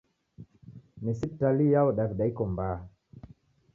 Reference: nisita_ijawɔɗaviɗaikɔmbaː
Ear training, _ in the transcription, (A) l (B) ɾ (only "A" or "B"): A